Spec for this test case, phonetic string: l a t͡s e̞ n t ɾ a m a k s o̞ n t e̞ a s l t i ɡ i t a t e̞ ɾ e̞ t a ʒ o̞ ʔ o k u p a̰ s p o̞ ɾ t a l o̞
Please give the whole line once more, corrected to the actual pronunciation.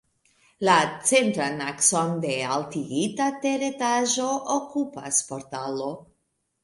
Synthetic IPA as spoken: l a t͡s e̞ n t ɾ a n a k s o̞ n d e̞ a l t i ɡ i t a t e̞ ɾ e̞ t a ʒ o̞ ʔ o k u p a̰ s p o̞ ɾ t a l o̞

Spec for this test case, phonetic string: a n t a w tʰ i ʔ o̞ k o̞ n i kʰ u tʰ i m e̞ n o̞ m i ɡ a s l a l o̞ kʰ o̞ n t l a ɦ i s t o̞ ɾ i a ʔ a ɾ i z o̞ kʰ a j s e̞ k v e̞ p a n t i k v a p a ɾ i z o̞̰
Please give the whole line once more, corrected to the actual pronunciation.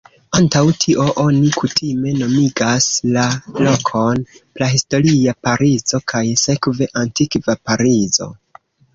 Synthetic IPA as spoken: a n t a w tʰ i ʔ o̞ ʔ o̞ n i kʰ u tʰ i m e̞ n o̞ m i ɡ a s l a l o̞ kʰ o̞ n p l a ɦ i s t o̞ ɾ i a p a ɾ i z o̞ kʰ a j s e̞ k v e̞ ʔ a n t i k v a p a ɾ i z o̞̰

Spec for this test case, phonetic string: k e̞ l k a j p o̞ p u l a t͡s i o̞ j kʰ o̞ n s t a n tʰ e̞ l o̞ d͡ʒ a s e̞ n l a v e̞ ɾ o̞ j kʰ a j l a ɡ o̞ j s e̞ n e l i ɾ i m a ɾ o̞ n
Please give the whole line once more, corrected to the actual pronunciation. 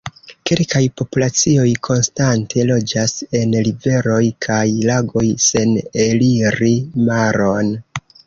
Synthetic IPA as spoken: k e̞ l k a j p o̞ p u l a t͡s i o̞ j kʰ o̞ n s t a n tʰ e̞ l o̞ d͡ʒ a s e̞ n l i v e̞ ɾ o̞ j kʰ a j l a ɡ o̞ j s e̞ n e l i ɾ i m a ɾ o̞ n

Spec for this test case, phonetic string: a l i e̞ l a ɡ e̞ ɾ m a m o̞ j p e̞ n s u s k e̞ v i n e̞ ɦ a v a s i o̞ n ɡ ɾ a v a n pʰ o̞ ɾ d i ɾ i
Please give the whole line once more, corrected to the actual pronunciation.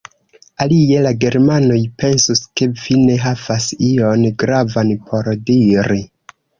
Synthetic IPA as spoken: a l i e̞ l a ɡ e̞ ɾ m a n o̞ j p e̞ n s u s k e̞ v i n e̞ ɦ a v a s i o̞ n ɡ ɾ a v a n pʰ o̞ ɾ d i ɾ i

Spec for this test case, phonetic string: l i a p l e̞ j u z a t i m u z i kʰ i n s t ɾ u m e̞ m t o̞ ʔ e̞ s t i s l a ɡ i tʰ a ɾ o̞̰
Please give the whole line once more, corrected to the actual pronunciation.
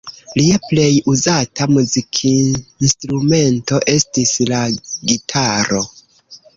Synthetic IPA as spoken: l i a p l e̞ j u z a t a m u z i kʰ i n s t ɾ u m e̞ n t o̞ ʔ e̞ s t i s l a ɡ i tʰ a ɾ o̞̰

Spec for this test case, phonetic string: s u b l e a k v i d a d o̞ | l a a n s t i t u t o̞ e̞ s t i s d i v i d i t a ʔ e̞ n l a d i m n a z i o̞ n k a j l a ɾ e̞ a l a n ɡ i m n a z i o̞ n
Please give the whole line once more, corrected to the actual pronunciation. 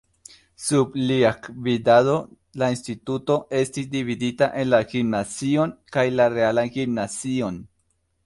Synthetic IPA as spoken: s u b l i a k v i d a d o̞ | l a i n s t i t u t o̞ e̞ s t i s d i v i d i t a ʔ e̞ n l a ɡ i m n a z i o̞ n k a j l a ɾ e̞ a l a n ɡ i m n a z i o̞ n

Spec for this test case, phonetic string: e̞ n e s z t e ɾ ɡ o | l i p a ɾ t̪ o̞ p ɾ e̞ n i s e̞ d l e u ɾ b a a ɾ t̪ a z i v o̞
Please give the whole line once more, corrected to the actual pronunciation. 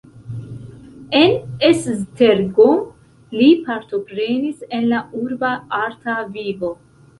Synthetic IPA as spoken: e̞ n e s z t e ɾ ɡ o | l i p a ɾ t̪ o̞ p ɾ e̞ n i s e̞ n l a u ɾ b a a ɾ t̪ a v i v o̞

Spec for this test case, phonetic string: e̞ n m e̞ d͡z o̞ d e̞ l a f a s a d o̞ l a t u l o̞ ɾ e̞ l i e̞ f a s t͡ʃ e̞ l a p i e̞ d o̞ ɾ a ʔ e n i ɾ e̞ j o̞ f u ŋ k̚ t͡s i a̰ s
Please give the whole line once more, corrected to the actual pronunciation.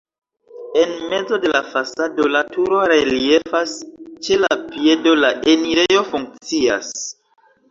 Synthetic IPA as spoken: e̞ n m e̞ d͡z o̞ d e̞ l a f a s a d o̞ l a t u ɾ o̞ ɾ e̞ l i e̞ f a s t͡ʃ e̞ l a p i e̞ d o̞ l a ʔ e n i ɾ e̞ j o̞ f u ŋ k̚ t͡s i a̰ s

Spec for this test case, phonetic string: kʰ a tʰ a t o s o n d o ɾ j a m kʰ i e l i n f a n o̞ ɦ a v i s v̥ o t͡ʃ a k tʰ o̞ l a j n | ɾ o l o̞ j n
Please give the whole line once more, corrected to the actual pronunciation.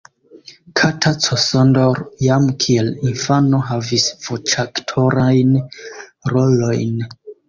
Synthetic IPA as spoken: kʰ a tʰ a t͡s o s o n d o ɾ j a m kʰ i e l i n f a n o̞ ɦ a v i s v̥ o t͡ʃ a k tʰ o̞ ɾ a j n | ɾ o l o̞ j n

